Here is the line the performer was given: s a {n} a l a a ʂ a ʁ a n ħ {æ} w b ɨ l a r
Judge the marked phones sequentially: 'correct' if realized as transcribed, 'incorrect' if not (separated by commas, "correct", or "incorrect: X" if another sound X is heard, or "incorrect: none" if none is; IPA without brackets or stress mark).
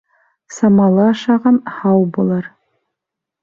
incorrect: m, incorrect: a